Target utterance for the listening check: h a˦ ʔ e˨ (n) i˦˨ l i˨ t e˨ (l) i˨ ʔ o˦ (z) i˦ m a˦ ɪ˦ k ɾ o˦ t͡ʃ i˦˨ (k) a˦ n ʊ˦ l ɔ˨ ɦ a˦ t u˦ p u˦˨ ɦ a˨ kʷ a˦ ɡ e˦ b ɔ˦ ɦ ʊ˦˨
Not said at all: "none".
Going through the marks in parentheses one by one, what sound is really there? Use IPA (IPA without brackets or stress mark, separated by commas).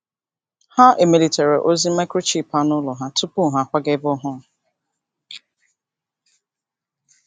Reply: m, ɾ, z, p